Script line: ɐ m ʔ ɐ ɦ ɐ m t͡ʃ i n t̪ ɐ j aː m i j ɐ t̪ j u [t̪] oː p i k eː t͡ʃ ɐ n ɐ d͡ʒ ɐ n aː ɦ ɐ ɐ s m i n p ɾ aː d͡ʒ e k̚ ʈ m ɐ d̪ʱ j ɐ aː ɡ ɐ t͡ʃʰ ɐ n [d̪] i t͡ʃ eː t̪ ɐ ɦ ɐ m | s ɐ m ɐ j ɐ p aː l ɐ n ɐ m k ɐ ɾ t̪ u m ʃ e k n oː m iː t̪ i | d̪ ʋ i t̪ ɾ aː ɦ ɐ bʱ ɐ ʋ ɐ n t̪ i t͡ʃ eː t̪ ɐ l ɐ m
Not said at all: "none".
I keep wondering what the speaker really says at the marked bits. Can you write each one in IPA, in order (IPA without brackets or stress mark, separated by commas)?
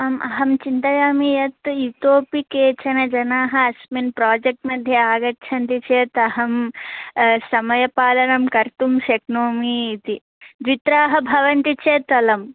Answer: t̪, t̪